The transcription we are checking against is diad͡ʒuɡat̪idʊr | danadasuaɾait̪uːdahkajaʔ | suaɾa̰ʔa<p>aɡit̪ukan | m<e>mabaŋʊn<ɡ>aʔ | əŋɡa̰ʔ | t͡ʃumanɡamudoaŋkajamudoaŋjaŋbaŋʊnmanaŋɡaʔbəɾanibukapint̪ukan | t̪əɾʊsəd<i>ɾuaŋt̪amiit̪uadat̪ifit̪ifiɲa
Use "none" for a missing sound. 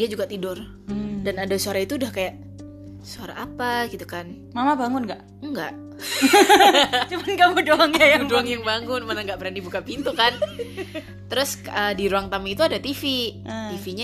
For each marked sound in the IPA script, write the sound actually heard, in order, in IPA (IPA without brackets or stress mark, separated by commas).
p, a, ɡ, i